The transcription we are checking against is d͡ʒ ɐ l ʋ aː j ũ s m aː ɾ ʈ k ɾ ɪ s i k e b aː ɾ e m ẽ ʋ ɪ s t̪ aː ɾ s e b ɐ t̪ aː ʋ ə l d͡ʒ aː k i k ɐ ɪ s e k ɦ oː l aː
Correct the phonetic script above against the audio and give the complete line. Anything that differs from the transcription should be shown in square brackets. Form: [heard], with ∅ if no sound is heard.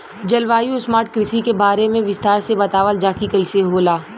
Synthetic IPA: d͡ʒ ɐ l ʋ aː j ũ s m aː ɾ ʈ k ɾ ɪ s i k e b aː ɾ e m ẽ ʋ ɪ s t̪ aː ɾ s e b ɐ t̪ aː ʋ ə l d͡ʒ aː k i k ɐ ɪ s e [∅] ɦ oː l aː